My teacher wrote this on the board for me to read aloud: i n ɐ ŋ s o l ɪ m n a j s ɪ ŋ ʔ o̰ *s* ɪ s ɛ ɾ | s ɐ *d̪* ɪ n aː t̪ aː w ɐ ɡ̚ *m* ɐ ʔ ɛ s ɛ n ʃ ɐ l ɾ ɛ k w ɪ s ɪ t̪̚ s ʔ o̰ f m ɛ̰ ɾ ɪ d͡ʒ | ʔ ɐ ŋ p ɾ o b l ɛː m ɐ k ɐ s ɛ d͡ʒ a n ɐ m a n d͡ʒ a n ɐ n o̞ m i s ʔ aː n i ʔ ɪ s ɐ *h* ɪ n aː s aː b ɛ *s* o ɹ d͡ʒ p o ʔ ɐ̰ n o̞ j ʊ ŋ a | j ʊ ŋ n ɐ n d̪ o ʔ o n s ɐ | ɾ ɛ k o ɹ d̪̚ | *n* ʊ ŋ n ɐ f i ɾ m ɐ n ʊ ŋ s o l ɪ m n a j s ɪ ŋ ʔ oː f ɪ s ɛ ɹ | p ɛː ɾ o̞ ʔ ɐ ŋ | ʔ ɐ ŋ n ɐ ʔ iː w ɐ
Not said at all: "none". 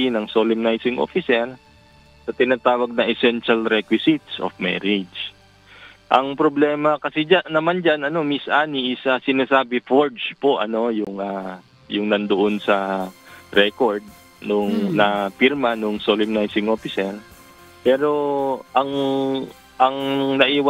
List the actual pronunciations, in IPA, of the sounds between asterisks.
f, t̪, n, s, f, n

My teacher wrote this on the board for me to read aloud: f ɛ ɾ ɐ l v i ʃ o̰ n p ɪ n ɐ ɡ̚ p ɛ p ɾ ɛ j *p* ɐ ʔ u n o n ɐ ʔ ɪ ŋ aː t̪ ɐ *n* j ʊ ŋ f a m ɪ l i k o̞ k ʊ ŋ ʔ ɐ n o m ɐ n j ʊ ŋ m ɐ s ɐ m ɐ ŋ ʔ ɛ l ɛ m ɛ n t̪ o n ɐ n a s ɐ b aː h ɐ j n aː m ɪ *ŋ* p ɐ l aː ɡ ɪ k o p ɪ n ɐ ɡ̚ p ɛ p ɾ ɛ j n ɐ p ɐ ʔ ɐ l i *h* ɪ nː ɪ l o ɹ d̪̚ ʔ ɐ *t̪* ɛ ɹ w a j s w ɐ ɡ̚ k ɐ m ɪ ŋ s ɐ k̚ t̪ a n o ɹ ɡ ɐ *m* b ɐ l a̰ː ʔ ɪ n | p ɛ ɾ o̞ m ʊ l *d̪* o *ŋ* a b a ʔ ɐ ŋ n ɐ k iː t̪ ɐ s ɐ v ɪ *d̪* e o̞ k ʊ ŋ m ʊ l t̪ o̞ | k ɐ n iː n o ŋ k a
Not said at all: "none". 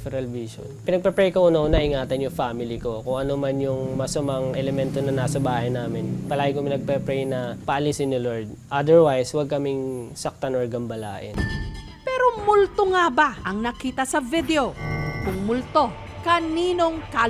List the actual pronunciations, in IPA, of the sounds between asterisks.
k, n, n, s, d̪, m, t̪, ŋ, d̪

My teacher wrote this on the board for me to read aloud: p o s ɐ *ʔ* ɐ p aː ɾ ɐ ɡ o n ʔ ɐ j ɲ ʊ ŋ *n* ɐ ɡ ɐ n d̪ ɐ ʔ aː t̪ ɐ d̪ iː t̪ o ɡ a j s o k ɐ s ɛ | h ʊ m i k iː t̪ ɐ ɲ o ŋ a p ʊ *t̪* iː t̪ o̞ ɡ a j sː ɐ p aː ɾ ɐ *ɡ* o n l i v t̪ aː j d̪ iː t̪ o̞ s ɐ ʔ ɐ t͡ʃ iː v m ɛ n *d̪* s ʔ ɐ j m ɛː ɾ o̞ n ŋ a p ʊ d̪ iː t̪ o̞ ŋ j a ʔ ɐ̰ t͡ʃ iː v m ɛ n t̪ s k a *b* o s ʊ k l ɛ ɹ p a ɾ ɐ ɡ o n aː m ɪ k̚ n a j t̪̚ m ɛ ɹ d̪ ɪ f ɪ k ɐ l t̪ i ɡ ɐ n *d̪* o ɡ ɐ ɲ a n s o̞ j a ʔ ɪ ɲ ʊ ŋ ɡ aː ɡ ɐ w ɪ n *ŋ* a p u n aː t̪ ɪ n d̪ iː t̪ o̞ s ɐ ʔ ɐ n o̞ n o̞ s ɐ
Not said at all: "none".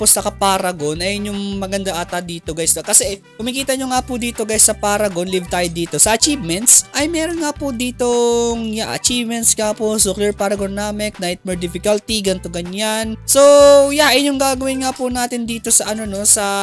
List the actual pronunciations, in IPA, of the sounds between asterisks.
k, m, d̪, ɡ, t̪, p, t̪, ŋ

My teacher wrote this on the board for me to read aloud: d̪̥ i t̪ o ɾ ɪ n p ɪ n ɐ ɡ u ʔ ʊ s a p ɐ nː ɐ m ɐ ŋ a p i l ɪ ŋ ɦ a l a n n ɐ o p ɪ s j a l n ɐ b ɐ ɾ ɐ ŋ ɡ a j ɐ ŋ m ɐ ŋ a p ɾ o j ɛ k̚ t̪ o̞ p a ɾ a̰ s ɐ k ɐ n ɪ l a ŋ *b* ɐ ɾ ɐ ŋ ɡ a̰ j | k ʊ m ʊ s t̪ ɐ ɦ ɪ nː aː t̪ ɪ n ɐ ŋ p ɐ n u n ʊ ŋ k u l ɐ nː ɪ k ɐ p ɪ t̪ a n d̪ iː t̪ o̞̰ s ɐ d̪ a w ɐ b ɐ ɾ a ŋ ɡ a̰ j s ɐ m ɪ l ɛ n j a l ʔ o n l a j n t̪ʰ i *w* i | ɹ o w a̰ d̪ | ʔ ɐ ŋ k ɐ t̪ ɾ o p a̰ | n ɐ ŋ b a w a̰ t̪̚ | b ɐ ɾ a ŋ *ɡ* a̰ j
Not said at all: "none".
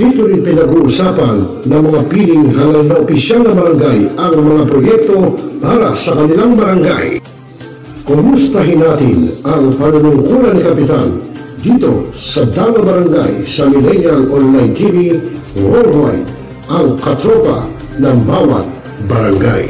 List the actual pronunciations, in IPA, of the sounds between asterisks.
b, v, ɡ

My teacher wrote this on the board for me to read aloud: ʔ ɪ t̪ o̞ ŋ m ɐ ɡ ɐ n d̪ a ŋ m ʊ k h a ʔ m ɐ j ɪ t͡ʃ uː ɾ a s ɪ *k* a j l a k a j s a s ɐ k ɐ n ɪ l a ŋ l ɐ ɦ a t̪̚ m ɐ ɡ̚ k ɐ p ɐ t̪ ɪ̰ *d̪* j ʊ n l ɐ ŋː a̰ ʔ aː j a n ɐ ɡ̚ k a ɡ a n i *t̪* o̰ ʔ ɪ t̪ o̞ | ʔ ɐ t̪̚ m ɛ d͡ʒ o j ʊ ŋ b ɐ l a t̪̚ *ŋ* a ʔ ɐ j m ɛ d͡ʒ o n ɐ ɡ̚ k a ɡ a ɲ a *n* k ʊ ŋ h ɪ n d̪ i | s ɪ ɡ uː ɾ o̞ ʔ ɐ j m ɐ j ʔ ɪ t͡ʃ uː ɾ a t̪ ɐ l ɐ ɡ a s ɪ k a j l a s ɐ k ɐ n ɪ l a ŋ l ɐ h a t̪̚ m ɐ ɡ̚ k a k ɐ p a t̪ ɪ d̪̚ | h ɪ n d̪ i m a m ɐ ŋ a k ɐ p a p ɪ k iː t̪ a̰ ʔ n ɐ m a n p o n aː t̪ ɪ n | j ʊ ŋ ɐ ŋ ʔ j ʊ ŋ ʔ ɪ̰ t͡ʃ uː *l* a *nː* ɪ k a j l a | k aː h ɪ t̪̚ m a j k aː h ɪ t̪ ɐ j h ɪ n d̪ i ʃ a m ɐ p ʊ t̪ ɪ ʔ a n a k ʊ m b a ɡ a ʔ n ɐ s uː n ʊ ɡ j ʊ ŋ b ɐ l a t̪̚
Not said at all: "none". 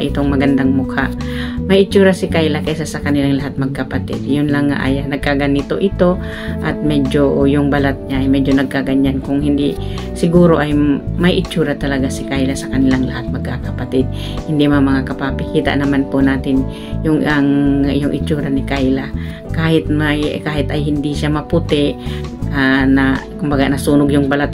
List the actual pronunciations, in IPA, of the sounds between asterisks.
k, d̪, t̪, ɲ, n, ɾ, n

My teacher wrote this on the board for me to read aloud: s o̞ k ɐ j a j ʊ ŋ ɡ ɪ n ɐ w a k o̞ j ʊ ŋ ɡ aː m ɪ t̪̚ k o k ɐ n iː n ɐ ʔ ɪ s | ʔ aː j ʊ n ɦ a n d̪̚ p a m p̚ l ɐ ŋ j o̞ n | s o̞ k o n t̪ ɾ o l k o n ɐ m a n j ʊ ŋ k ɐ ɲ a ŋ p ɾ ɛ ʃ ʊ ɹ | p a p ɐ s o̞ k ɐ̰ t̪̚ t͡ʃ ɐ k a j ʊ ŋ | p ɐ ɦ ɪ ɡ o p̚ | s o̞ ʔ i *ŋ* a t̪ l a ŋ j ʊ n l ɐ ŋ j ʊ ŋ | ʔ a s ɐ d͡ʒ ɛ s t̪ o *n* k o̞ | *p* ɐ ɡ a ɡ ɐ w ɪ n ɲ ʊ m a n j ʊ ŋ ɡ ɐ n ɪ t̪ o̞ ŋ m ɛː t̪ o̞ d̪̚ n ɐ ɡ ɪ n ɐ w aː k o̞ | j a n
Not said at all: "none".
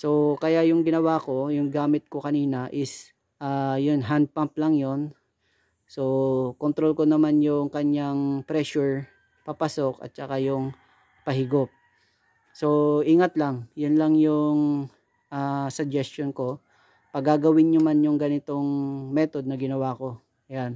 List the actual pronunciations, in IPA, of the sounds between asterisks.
ŋ, n, p

